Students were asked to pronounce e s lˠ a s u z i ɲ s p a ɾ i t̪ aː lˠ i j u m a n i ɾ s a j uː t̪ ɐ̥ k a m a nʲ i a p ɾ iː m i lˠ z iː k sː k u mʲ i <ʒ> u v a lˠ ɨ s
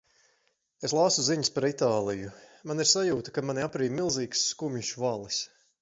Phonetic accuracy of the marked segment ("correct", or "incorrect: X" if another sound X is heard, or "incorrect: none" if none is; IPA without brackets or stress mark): incorrect: ʃ